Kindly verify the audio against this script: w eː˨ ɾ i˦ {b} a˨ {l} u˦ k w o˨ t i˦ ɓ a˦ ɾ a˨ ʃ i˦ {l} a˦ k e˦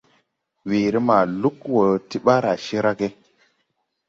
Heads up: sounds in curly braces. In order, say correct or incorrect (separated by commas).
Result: incorrect, correct, incorrect